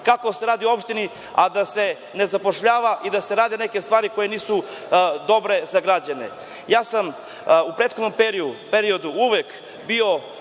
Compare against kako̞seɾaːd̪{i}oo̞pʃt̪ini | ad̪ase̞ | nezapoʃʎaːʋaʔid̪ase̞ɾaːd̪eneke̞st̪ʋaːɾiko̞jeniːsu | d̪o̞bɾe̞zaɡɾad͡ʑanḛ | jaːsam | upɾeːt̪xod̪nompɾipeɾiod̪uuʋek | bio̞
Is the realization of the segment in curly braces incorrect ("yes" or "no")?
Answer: no